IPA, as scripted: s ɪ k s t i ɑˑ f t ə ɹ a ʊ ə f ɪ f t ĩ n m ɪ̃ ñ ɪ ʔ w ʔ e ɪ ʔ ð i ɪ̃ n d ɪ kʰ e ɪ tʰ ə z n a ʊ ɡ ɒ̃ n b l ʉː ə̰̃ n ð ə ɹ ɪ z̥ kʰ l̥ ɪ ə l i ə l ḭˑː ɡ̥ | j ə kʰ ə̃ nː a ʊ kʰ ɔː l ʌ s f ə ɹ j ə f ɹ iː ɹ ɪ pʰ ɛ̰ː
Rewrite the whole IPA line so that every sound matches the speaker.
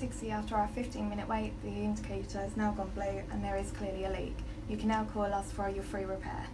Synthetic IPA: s ɪ k s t i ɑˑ f t ə ɹ a ʊ ə f ɪ f t ĩ n m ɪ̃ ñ ɪ ʔ w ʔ e ɪ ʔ ð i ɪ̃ n d ɪ kʰ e ɪ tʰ ə z n a ʊ ɡ ɒ̃ n b l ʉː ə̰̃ n ð ə ɹ ɪ z̥ kʰ l̥ ɪ ə l i ə l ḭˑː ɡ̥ | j ə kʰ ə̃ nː a ʊ kʰ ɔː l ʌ s f ə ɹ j ə f ɹ iː ɹ ɪ pʰ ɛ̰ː